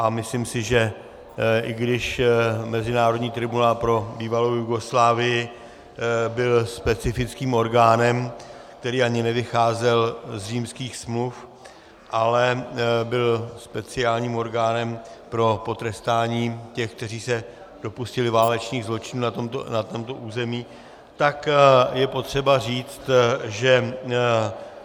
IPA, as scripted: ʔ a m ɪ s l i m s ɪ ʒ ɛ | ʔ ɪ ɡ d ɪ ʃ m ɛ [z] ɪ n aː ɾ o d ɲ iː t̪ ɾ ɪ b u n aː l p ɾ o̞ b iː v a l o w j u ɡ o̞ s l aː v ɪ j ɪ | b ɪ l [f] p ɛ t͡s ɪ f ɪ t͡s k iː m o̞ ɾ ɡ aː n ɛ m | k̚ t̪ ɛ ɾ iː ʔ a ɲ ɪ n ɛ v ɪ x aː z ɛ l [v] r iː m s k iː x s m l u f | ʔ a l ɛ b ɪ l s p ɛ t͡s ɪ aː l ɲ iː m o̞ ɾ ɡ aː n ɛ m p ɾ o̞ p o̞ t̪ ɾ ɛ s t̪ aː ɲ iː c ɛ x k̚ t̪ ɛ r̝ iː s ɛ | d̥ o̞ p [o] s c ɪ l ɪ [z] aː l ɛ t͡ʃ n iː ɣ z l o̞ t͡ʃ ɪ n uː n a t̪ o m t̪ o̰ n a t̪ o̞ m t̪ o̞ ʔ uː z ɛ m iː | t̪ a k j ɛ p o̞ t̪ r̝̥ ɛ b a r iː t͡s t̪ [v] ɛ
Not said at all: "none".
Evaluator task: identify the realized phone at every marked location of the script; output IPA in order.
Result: z, s, z, u, v, ʒ

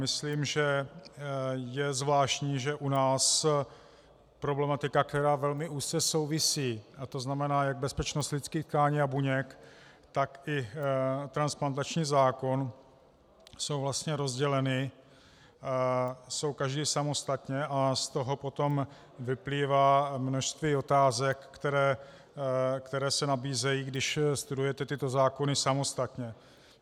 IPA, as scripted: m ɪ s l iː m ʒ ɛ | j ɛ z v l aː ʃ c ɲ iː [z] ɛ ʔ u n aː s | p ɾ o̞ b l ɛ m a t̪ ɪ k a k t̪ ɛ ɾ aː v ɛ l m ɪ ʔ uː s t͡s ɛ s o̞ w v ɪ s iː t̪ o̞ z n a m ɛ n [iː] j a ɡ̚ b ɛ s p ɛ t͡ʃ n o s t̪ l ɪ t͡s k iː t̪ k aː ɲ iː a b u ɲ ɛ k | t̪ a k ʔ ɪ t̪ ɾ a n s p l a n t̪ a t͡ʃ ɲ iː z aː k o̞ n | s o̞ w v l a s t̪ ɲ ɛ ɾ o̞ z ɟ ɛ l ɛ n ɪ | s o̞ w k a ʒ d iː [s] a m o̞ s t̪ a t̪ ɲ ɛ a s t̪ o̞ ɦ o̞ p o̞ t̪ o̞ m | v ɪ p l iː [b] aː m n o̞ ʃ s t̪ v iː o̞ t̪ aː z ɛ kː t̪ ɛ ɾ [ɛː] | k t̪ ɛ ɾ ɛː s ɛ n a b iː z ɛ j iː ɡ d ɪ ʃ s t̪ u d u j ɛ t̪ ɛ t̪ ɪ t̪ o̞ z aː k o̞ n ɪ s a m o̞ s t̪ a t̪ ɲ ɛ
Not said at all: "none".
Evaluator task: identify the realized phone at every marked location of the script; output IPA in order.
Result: ʒ, aː, s, v, ɛː

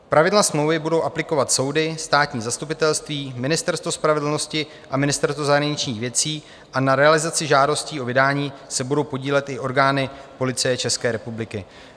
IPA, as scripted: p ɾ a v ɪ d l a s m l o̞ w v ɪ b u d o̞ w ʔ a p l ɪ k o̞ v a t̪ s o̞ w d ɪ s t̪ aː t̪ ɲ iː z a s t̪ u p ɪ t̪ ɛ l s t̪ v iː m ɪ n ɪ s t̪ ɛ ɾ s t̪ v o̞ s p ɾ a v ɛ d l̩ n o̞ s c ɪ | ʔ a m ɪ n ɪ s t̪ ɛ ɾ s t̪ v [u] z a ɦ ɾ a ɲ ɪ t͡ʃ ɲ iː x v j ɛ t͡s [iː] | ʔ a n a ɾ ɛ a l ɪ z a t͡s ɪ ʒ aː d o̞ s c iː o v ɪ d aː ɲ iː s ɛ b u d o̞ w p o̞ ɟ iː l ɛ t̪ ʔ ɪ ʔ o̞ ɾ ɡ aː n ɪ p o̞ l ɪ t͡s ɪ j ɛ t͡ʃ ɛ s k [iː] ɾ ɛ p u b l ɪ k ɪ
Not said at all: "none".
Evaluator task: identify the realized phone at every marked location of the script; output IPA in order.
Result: o, iː, ɛː

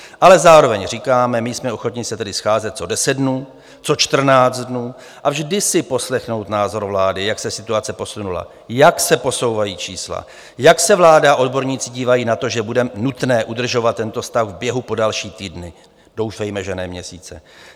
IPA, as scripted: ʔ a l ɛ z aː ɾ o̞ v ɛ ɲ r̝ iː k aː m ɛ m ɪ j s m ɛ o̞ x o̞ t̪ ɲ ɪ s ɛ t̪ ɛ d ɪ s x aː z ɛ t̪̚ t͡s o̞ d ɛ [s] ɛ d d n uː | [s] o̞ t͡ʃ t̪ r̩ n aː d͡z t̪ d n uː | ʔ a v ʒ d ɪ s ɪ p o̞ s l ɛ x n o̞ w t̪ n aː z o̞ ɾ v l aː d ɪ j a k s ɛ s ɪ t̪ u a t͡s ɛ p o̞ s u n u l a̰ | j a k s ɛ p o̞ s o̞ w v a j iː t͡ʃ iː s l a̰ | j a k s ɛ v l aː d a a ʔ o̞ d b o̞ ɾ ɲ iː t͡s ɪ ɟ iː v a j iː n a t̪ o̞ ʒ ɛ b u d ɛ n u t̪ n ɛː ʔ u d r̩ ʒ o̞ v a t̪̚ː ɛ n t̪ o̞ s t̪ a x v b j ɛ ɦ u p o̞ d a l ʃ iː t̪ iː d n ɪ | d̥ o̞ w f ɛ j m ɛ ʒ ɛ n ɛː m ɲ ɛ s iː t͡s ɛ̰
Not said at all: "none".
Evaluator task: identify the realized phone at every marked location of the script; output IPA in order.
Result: s, t͡s

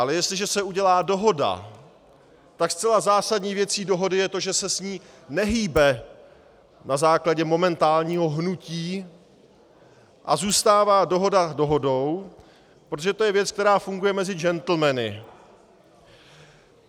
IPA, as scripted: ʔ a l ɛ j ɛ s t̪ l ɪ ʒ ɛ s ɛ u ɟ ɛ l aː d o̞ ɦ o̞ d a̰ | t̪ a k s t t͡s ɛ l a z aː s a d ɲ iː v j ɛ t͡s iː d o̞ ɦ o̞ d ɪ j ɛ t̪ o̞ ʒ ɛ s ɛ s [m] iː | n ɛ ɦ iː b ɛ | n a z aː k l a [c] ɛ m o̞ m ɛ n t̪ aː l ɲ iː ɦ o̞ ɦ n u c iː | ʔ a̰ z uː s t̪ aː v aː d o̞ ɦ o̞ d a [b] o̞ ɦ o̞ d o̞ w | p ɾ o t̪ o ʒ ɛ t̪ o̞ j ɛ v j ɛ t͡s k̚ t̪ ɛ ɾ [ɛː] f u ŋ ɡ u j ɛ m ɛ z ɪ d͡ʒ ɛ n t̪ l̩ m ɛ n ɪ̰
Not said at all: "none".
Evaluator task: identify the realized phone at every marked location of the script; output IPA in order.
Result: ɲ, ɟ, d, aː

